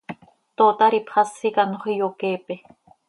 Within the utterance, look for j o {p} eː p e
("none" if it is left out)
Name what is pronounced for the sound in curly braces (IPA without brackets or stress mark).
k